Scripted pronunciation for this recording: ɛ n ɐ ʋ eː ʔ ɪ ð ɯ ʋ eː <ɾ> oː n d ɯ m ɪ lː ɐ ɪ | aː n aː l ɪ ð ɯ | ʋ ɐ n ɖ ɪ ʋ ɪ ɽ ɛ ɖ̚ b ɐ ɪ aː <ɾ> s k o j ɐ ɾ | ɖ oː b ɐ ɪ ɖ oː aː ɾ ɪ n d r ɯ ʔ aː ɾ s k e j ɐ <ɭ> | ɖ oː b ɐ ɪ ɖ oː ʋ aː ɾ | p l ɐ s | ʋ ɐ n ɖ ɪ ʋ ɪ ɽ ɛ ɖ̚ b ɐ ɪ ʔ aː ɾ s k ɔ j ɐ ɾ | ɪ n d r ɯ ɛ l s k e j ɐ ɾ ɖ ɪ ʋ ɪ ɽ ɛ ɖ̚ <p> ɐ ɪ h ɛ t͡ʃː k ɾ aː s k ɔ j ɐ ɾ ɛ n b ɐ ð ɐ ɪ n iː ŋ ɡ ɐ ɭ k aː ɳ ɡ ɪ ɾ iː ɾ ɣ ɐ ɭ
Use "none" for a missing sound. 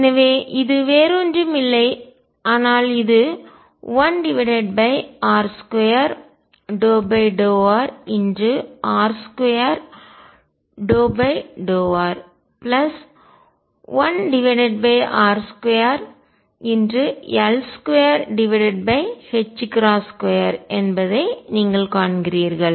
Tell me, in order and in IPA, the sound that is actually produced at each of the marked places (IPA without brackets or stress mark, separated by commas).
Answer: ɾ, ɾ, ɾ, b